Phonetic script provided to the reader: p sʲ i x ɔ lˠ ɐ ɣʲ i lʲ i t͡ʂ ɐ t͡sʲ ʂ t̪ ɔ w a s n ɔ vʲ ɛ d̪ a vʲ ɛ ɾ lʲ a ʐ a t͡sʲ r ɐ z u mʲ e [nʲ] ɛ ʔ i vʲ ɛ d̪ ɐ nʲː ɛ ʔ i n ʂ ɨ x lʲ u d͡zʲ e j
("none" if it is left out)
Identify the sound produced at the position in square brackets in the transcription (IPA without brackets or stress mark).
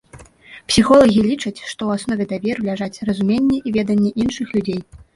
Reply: nʲː